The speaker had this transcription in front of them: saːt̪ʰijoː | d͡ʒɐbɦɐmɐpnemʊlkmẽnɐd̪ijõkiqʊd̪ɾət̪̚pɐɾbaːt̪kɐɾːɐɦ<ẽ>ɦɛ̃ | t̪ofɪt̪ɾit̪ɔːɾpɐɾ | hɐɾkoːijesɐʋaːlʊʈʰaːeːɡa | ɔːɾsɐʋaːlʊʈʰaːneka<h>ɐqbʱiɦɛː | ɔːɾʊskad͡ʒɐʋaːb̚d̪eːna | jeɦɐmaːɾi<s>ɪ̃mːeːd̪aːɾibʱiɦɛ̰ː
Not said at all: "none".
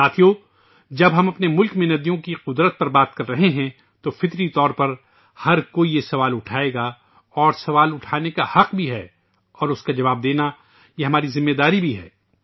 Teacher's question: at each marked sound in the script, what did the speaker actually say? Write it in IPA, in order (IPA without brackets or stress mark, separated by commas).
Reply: e, h, z